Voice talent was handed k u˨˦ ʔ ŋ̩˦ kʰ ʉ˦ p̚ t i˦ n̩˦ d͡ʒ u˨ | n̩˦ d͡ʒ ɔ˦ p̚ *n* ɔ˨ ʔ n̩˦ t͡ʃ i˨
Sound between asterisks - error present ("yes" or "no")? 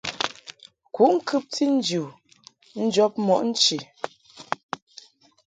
yes